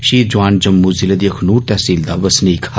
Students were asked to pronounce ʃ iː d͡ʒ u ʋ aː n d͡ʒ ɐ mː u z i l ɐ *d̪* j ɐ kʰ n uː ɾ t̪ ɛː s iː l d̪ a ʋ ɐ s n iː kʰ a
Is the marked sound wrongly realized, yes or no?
no